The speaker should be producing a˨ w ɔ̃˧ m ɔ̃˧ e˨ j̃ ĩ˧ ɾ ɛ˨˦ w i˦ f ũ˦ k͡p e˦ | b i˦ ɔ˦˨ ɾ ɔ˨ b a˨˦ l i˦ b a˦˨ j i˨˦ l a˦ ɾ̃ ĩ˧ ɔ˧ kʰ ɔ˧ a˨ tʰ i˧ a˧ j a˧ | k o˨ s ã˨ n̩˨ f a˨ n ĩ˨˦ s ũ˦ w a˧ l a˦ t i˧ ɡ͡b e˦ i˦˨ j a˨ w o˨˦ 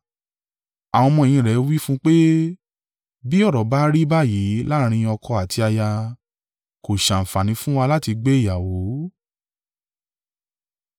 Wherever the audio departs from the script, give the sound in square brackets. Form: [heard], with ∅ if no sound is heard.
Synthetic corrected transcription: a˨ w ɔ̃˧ m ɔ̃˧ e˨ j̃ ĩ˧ ɾ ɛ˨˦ w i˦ f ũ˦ k͡p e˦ | b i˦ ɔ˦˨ ɾ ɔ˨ b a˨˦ [ɾ] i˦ b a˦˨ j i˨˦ l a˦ ɾ̃ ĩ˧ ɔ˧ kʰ ɔ˧ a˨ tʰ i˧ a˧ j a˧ | k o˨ [ʃ] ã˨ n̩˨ f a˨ n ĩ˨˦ [f] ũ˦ w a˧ l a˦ t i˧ ɡ͡b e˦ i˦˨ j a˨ w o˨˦